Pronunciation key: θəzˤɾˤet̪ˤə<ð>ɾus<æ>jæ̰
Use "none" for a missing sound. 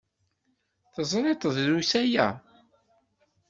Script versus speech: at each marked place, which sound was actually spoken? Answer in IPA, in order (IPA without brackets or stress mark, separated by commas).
ð, æ